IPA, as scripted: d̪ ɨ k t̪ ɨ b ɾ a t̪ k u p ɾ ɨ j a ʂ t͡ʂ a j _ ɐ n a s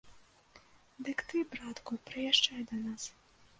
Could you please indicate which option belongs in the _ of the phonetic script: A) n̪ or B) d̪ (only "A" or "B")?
B